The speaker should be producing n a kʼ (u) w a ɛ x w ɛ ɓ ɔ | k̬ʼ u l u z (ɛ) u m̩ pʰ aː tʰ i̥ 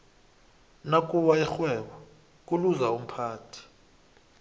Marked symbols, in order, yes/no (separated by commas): yes, no